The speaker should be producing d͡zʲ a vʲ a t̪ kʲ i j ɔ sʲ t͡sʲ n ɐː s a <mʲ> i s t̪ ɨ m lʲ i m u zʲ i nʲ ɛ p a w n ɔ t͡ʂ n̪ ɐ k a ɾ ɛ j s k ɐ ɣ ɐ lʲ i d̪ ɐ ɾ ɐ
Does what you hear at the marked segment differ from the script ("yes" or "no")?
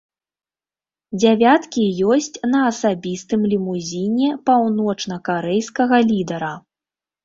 yes